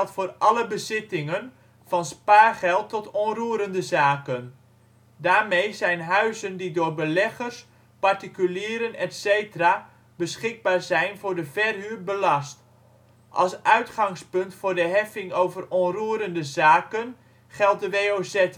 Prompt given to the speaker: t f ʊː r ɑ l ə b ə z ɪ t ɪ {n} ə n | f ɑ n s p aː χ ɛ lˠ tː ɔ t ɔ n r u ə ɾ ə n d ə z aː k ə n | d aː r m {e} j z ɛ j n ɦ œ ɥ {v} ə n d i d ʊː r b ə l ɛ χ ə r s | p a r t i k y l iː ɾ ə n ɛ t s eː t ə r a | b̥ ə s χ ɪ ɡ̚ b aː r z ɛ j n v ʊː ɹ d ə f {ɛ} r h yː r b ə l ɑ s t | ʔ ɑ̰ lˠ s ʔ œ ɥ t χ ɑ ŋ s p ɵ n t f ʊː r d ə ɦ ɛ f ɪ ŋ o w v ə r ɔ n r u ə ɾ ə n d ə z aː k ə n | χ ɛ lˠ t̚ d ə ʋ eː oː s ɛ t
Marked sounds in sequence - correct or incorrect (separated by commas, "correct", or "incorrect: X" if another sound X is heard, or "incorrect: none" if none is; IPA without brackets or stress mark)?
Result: incorrect: ŋ, correct, incorrect: z, correct